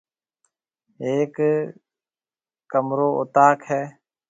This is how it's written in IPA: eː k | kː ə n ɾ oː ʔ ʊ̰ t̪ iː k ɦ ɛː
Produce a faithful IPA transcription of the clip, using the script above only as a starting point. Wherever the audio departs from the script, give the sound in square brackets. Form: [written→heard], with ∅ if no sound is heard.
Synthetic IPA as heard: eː k | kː ə [n→m] ɾ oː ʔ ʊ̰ t̪ [iː→aː] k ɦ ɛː